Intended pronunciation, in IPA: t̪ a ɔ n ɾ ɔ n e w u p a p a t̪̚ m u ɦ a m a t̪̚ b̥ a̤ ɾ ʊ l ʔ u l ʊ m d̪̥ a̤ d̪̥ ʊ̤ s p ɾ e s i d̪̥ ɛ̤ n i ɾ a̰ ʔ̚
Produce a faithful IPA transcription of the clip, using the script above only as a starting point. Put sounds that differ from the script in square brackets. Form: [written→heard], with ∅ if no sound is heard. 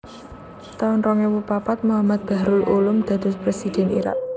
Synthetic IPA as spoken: t̪ a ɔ n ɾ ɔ [n→ŋ] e w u p a p a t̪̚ m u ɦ a m a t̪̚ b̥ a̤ ɾ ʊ l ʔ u l ʊ m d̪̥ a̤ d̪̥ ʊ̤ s p ɾ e s i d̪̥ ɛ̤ n i ɾ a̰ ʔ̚